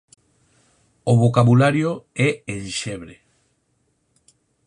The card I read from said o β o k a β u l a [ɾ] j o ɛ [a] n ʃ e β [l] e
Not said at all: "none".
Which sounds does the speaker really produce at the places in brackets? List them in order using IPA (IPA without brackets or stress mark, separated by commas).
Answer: ɾ, e, ɾ